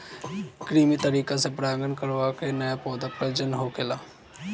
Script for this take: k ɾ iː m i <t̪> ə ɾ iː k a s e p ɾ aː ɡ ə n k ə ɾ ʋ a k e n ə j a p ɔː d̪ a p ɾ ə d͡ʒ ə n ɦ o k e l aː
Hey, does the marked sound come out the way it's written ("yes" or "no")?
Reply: yes